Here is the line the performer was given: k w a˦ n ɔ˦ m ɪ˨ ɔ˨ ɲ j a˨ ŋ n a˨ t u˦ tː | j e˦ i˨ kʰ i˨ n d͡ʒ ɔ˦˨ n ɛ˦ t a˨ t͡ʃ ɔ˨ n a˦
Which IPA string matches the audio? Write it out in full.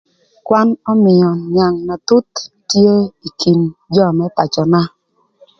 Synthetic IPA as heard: k w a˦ n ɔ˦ m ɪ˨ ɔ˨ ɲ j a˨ ŋ n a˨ t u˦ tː | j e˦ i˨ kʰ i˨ n d͡ʒ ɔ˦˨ m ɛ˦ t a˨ t͡ʃ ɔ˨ n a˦